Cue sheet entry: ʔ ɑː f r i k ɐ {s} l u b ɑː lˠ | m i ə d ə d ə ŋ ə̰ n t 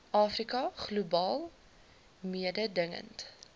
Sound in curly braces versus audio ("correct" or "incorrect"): incorrect